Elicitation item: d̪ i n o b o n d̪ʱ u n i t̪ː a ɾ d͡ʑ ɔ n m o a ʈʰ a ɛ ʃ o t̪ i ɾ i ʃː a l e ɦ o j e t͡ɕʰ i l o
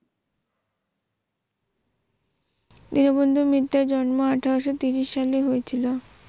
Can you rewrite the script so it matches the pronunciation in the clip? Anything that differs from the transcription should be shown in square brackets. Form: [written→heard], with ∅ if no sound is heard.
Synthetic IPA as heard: d̪ i n o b o n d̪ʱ u [n→m] i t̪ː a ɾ d͡ʑ ɔ n m o a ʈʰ a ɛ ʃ o t̪ i ɾ i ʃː a l e ɦ o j e t͡ɕʰ i l o